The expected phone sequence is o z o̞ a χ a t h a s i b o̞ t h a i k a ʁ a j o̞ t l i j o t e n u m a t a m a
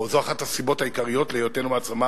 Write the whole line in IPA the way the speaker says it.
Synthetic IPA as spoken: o z o̞ a χ a t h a s i b o̞ t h a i k a ʁ i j o̞ t l e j o t e n u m a t͡s a m a